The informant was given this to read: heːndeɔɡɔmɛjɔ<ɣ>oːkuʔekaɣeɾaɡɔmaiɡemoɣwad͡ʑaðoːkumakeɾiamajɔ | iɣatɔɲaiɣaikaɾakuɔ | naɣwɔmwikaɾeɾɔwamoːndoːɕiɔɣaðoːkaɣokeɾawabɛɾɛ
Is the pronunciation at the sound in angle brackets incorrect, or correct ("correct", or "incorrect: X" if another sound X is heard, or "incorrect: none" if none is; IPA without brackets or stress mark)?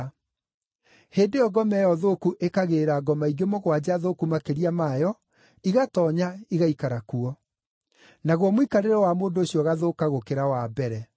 incorrect: ð